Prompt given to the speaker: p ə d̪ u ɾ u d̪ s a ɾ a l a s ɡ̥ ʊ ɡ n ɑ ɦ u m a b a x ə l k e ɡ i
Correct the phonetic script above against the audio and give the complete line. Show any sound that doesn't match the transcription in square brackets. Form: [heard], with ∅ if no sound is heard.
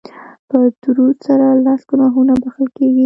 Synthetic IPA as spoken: p ə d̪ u ɾ u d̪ s a ɾ a l a s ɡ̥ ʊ [∅] n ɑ ɦ u [n] a b a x ə l k e ɡ i